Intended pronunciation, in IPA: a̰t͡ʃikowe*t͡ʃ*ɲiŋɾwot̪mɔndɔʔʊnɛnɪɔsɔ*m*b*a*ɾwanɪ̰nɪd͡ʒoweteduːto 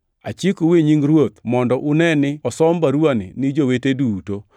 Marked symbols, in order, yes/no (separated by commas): no, yes, yes